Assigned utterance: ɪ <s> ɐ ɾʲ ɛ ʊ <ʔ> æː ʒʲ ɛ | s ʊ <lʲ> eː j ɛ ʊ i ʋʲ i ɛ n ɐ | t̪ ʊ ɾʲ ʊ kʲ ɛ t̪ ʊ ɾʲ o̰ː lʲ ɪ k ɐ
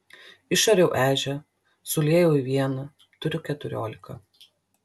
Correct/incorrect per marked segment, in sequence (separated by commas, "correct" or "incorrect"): incorrect, correct, correct